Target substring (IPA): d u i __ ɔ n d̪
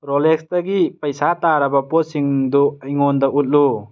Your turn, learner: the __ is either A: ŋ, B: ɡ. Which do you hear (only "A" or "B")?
A